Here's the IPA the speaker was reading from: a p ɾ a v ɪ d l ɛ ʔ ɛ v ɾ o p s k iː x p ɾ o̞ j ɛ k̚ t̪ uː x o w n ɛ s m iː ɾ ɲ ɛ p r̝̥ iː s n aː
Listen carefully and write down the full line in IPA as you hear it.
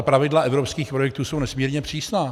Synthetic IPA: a p ɾ a v ɪ d l a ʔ ɛ v ɾ o p s k iː x p ɾ o̞ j ɛ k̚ t̪ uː s o w n ɛ s m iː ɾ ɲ ɛ p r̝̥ iː s n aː